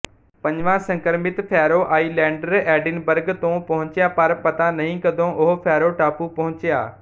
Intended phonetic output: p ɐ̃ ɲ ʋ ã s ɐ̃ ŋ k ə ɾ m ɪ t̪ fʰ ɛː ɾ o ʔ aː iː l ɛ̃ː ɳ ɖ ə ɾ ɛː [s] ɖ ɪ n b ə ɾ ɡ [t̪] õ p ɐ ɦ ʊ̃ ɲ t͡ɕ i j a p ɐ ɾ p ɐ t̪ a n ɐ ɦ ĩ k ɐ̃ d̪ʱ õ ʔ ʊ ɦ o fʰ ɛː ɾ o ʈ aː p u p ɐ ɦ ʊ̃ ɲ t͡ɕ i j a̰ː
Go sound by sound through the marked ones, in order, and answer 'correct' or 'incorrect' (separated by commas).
incorrect, correct